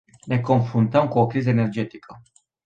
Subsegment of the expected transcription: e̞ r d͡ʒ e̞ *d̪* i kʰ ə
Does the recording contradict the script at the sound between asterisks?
yes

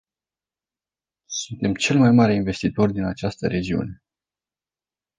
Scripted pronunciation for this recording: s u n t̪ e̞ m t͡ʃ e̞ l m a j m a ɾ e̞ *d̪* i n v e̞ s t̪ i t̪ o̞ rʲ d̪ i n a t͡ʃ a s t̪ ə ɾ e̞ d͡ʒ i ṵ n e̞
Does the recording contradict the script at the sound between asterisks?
yes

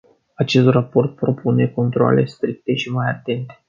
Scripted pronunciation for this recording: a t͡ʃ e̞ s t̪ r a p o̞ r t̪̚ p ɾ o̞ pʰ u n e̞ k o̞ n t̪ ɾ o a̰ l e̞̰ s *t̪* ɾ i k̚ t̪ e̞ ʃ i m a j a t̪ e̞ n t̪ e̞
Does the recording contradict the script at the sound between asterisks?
no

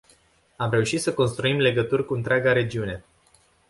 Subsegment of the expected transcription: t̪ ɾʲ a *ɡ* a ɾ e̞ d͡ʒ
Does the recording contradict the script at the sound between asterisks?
no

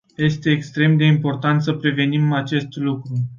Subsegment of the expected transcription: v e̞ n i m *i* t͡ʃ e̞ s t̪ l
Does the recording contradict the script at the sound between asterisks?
yes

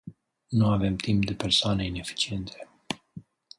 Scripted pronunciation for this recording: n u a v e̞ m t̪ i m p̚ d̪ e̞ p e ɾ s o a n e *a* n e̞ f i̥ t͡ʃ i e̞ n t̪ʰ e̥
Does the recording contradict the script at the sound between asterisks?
yes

